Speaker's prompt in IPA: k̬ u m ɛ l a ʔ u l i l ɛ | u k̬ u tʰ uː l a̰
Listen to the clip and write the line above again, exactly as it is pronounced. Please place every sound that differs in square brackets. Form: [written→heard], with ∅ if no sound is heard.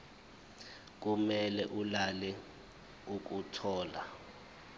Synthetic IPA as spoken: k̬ u m ɛ l [a→ɛ] ʔ u l [i→a] l ɛ | u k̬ u tʰ [uː→ɔː] l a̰